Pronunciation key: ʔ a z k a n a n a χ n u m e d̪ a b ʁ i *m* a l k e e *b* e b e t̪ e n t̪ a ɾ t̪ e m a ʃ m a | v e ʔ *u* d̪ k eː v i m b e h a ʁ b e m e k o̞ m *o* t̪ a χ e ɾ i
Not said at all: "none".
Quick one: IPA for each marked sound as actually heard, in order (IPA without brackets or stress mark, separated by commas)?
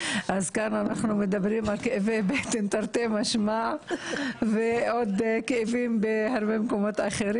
m, v, o, o